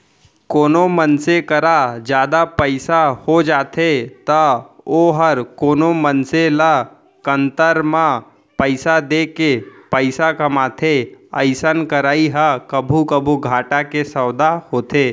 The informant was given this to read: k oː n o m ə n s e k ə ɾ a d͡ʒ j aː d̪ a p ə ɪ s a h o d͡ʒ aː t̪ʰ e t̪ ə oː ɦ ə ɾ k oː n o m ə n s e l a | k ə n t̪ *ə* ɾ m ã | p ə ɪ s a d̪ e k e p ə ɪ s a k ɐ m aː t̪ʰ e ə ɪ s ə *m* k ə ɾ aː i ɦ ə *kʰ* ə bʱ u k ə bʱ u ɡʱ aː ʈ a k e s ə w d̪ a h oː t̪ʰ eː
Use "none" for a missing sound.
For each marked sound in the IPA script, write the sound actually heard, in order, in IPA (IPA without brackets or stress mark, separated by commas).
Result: ə, n, k